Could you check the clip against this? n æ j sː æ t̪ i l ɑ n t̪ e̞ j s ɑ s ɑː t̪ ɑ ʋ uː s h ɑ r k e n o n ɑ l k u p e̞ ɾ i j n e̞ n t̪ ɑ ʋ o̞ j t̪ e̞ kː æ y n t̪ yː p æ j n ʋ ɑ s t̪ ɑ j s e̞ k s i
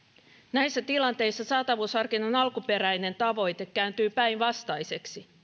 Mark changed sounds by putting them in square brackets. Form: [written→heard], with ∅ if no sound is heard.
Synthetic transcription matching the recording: n æ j sː æ t̪ i l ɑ n t̪ e̞ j [s→sː] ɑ s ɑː t̪ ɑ ʋ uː s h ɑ r k [e→i] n o n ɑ l k u p e̞ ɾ [i→æ] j n e̞ n t̪ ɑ ʋ o̞ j t̪ e̞ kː æ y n t̪ yː p æ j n ʋ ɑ s t̪ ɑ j s e̞ k s i